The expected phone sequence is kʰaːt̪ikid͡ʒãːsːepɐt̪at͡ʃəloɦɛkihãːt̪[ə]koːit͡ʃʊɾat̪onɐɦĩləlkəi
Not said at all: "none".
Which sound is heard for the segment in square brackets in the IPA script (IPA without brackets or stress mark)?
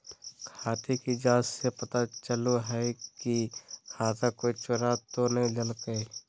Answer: a